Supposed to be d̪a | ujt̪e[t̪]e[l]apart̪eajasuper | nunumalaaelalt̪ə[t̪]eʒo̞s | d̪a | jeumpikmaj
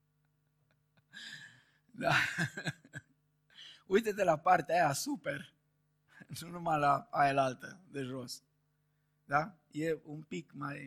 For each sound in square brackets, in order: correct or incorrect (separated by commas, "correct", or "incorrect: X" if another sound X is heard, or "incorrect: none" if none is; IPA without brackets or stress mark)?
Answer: correct, correct, incorrect: d̪